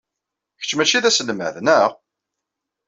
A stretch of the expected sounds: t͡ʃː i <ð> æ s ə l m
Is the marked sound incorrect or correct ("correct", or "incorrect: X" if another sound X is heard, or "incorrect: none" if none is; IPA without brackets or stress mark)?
correct